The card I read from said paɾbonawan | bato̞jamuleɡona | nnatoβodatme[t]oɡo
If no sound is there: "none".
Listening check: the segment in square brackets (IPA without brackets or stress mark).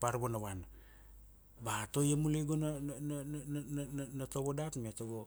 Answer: t